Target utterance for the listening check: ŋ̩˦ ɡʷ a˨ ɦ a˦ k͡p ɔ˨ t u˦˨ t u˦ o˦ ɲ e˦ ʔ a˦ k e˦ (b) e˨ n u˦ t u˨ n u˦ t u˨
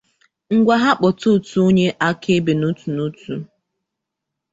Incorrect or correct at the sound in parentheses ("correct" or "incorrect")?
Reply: correct